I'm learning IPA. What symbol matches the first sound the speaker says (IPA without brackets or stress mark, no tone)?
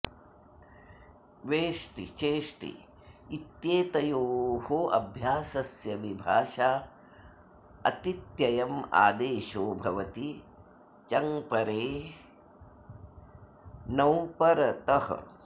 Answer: ʋ